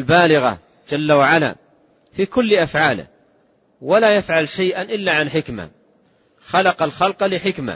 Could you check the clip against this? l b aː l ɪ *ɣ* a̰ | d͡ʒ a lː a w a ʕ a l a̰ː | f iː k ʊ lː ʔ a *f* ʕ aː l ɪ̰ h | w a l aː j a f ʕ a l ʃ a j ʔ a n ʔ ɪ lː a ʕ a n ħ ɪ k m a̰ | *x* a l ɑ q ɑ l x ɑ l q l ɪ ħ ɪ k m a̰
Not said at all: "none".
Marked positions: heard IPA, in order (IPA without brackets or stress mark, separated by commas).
ɣ, f, x